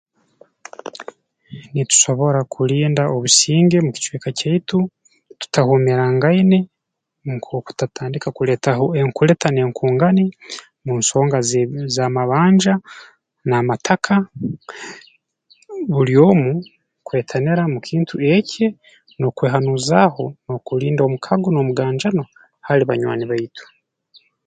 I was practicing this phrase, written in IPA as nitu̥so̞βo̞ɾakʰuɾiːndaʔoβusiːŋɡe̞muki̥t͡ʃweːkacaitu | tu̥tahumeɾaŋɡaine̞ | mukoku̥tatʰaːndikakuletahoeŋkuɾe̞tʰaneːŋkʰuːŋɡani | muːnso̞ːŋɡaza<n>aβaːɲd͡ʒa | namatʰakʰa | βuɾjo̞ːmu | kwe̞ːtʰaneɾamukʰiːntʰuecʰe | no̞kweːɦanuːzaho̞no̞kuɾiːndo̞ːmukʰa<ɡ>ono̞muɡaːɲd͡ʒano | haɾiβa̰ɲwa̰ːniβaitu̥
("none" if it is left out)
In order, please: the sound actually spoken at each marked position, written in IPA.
m, ɡ

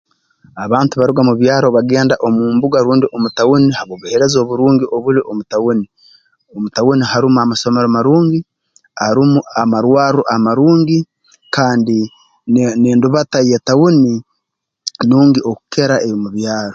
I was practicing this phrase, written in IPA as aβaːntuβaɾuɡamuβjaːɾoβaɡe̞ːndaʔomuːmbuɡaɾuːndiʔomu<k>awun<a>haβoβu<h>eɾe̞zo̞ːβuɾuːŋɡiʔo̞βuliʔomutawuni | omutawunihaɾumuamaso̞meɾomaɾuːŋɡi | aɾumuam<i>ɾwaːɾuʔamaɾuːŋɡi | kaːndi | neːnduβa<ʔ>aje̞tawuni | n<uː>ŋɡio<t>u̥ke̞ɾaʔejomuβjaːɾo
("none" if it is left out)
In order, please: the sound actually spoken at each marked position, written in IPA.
t, i, h, a, t, uː, k

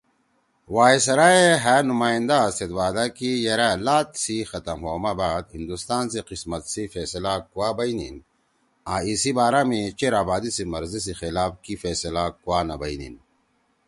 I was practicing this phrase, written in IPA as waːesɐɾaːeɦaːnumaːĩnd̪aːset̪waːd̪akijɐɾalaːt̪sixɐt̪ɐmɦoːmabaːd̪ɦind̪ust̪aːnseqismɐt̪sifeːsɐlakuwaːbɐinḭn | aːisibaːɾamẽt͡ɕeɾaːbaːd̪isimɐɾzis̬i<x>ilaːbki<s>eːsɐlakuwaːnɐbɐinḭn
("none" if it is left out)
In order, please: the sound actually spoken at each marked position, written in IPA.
x, f

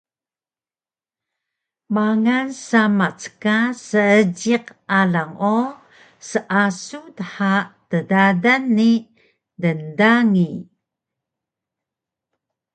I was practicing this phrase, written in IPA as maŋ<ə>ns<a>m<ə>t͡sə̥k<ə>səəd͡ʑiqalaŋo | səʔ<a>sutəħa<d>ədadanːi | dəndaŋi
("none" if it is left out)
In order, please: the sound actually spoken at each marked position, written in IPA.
a, a, a, a, a, t

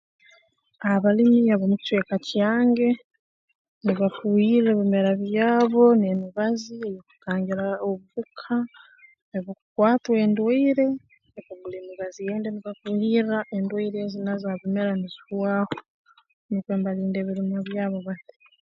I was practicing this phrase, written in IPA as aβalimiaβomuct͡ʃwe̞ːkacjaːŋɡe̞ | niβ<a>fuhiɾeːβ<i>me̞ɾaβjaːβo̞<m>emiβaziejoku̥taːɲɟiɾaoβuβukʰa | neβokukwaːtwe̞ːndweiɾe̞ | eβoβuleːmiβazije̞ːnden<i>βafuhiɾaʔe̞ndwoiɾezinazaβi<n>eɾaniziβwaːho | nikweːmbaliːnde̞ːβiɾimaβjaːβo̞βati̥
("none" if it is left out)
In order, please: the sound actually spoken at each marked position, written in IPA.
a, i, n, i, m

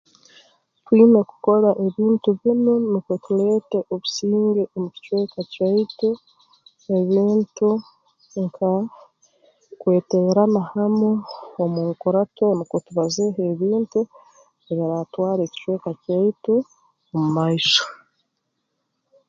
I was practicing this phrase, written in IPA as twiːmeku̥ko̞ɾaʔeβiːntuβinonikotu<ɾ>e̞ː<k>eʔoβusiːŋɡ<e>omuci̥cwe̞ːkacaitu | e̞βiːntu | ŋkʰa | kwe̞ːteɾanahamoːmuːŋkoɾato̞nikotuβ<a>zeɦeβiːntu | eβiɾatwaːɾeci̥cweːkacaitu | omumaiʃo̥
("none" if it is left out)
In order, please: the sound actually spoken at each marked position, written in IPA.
l, t, e, a

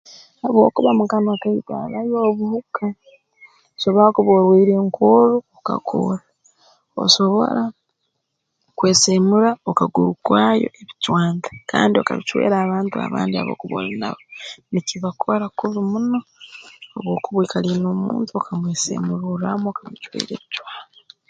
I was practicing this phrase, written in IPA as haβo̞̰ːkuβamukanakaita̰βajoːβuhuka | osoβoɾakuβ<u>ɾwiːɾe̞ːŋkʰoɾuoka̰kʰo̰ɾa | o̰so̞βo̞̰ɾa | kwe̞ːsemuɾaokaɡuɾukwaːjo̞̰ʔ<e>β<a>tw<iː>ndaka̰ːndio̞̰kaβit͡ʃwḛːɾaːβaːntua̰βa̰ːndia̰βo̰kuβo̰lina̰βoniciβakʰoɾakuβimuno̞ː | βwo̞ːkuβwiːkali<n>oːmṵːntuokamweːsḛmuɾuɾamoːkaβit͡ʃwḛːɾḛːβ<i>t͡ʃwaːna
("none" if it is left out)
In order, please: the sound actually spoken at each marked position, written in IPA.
o, e, i, aː, n, i

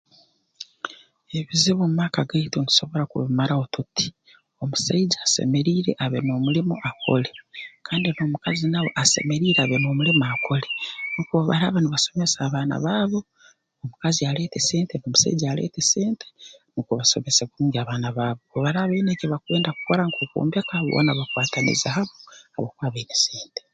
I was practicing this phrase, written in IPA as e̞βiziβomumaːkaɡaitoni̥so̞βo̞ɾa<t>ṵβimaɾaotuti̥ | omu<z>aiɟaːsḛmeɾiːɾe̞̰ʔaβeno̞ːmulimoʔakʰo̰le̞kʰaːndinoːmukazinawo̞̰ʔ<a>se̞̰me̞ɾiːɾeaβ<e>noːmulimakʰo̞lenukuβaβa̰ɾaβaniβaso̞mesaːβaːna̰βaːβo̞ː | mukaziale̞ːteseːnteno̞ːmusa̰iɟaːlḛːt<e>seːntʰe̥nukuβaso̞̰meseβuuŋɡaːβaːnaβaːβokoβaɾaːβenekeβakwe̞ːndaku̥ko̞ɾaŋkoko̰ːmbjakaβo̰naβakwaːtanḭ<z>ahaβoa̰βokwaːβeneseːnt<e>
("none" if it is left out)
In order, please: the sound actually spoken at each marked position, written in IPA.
k, s, a, e, e, z, e

